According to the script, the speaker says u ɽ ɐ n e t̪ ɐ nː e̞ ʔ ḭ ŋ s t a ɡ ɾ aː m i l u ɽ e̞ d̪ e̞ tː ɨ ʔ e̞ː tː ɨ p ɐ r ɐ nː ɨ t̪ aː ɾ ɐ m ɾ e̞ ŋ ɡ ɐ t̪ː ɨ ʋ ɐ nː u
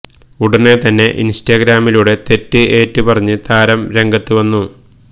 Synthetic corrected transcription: u ɽ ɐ n e t̪ ɐ nː e̞ ʔ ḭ n s t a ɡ ɾ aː m i l u ɽ e̞ t̪ e̞ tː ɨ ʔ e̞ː tː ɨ p ɐ r ɐ ɲː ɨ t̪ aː ɾ ɐ m ɾ e̞ ŋ ɡ ɐ t̪ː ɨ ʋ ɐ nː u